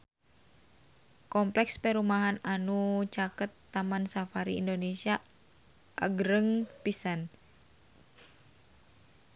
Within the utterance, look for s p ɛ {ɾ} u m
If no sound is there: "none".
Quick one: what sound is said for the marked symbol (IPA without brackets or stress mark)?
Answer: ɾ